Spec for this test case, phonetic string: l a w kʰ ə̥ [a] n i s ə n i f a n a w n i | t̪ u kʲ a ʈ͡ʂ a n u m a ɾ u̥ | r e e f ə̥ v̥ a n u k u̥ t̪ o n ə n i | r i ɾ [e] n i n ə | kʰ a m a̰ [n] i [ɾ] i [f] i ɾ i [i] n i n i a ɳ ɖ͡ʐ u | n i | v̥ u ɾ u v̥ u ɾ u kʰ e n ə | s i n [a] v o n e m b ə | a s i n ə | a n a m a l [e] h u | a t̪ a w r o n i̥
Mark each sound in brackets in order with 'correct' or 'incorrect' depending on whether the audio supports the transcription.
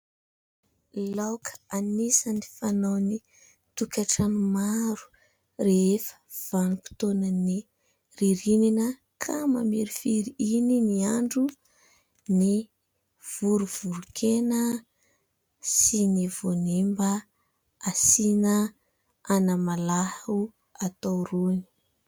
correct, incorrect: i, incorrect: m, correct, correct, correct, incorrect: i, incorrect: a

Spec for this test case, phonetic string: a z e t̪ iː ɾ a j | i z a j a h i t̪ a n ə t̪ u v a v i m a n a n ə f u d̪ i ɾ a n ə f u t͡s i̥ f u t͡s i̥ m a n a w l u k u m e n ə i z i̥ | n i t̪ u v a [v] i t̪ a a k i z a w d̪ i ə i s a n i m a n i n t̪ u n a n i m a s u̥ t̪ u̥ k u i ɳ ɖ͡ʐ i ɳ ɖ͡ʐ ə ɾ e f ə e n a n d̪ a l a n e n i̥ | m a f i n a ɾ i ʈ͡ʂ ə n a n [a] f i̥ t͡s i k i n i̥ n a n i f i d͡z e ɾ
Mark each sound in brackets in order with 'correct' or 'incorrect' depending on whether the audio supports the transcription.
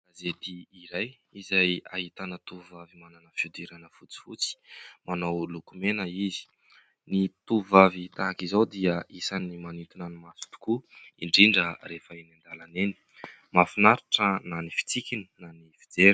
correct, incorrect: i

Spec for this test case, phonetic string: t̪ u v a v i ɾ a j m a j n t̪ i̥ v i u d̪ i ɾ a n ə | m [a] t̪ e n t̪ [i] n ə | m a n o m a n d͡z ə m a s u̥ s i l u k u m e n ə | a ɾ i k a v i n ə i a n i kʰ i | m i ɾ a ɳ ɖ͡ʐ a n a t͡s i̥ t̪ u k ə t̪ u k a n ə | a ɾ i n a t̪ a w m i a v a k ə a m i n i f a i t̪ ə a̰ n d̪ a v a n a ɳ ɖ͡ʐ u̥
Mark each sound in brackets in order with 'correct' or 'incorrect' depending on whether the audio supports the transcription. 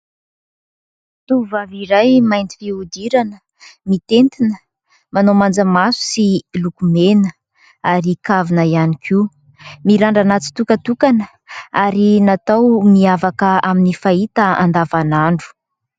incorrect: i, correct

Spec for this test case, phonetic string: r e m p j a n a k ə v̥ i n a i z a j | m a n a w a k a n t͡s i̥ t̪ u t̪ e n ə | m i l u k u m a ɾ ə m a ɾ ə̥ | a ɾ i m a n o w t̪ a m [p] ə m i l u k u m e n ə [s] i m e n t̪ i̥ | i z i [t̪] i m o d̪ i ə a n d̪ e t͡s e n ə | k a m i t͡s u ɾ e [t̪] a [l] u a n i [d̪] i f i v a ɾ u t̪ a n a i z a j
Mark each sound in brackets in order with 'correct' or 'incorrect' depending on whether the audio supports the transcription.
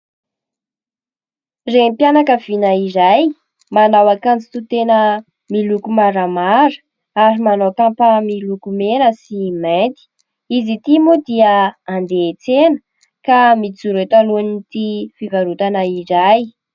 correct, correct, correct, correct, correct, incorrect: t̪

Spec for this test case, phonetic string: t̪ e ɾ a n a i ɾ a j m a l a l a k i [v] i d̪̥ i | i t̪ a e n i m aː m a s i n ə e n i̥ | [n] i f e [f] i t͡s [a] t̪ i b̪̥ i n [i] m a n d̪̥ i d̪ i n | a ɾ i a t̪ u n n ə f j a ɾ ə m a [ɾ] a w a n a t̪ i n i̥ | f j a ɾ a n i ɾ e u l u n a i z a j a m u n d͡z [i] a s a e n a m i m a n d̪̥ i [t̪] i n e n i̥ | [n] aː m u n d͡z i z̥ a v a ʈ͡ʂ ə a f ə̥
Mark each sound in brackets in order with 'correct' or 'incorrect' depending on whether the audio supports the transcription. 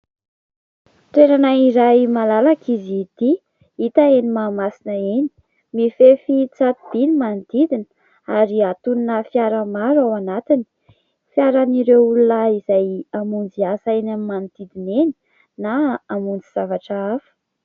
incorrect: z, incorrect: m, correct, correct, correct, correct, correct, incorrect: d̪, correct

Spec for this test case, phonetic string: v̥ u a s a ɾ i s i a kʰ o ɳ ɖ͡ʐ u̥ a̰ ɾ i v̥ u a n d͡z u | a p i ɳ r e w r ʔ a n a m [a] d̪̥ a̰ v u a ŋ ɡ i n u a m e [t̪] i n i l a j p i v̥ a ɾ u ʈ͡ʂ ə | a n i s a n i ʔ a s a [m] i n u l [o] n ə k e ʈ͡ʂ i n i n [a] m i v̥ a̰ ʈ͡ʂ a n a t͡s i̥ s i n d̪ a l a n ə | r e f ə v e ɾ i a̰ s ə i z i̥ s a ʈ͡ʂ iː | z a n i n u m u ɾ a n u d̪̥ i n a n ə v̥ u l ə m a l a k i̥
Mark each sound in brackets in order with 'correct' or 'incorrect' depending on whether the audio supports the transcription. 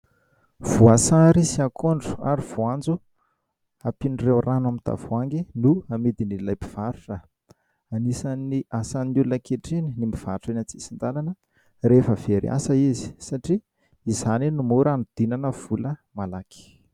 incorrect: i, incorrect: d̪, incorrect: n, incorrect: u, incorrect: i

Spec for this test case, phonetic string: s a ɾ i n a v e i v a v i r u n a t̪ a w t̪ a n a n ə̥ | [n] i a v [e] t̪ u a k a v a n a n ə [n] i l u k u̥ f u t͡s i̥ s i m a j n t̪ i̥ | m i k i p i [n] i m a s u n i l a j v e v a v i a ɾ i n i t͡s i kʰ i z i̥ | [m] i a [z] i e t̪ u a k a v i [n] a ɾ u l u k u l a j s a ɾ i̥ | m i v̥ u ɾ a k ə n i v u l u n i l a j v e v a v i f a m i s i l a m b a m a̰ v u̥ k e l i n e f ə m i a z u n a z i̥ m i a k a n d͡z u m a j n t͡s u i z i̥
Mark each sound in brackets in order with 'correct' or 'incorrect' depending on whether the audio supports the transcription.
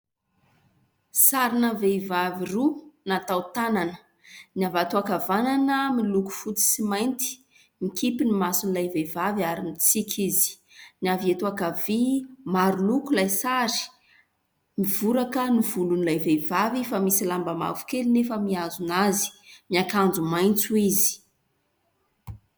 correct, incorrect: a, incorrect: m, correct, incorrect: n, incorrect: v, incorrect: m

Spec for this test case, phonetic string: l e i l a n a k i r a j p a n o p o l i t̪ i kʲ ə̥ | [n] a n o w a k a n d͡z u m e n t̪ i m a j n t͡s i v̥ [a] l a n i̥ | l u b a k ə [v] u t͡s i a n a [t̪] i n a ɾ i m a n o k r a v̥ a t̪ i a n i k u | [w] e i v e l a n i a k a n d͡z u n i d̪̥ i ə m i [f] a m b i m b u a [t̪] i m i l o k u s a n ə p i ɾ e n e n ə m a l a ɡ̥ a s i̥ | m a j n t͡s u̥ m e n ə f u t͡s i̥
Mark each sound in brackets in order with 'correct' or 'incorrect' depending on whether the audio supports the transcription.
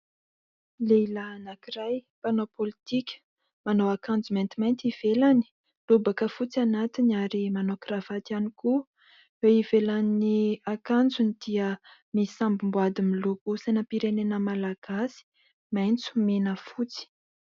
incorrect: m, incorrect: e, incorrect: f, correct, correct, incorrect: s, incorrect: d̪

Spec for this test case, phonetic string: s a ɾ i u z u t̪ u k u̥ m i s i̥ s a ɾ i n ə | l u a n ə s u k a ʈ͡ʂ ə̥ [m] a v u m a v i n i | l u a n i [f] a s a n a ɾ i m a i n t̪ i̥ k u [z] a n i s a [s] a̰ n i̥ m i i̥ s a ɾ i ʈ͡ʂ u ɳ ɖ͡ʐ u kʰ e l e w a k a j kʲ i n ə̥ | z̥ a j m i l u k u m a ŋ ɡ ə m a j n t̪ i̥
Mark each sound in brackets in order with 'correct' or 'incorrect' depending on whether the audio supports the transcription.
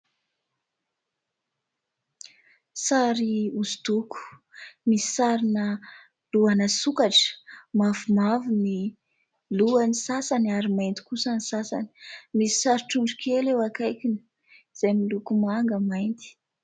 correct, incorrect: s, incorrect: s, correct

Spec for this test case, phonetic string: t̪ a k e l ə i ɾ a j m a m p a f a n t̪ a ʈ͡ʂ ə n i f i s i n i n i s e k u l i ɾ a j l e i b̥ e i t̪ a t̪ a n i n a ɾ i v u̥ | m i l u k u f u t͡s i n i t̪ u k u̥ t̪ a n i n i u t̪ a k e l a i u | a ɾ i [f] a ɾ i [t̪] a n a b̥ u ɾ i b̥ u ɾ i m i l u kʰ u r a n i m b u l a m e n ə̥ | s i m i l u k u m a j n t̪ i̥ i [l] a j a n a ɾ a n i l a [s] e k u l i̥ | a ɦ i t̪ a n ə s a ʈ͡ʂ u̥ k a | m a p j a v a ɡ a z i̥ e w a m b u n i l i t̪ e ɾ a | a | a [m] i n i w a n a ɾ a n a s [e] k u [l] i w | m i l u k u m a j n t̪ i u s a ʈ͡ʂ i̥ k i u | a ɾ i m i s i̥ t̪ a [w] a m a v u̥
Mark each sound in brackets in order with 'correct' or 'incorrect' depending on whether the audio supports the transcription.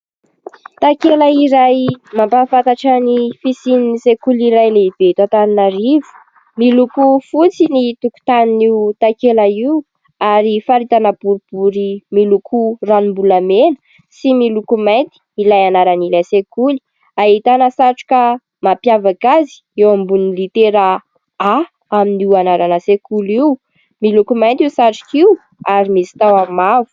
correct, correct, correct, correct, correct, correct, correct, correct

